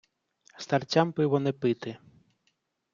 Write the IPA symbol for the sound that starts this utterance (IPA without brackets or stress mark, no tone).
s